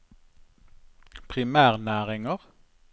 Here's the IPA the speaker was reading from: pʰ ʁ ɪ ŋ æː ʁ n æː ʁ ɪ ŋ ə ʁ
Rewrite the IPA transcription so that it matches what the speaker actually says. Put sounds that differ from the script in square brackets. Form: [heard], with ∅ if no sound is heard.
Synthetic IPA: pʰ ʁ ɪ [m] æː ʁ n æː ʁ ɪ ŋ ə ʁ

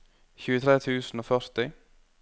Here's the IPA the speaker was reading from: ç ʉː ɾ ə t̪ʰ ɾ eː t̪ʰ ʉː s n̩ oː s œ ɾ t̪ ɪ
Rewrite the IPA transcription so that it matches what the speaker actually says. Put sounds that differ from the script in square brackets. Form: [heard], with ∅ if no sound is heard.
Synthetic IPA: ç ʉː [∅] ə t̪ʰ ɾ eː t̪ʰ ʉː s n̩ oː [f] œ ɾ t̪ ɪ

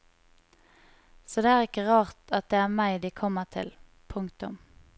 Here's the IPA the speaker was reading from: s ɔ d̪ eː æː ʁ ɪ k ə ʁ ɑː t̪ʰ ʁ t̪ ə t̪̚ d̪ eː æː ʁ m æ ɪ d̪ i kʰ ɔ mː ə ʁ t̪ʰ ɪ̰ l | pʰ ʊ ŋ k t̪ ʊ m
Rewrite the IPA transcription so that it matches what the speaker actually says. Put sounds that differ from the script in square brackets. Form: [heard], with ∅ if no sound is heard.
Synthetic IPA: s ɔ d̪ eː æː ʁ ɪ k ə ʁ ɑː [∅] ʁ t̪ [ɑ] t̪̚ d̪ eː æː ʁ m æ ɪ d̪ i kʰ ɔ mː ə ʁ t̪ʰ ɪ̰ l | pʰ ʊ ŋ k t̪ ʊ m

